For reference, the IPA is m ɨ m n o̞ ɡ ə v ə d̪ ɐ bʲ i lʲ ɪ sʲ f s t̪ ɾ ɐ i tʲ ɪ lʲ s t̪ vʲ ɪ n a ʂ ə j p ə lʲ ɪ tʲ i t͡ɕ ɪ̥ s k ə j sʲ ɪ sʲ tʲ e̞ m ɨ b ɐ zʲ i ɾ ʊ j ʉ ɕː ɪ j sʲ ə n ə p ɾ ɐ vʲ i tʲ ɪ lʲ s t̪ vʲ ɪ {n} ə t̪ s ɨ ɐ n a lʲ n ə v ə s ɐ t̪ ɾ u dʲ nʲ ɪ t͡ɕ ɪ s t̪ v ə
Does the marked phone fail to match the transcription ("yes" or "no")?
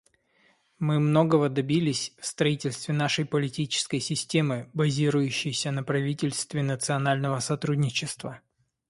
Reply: no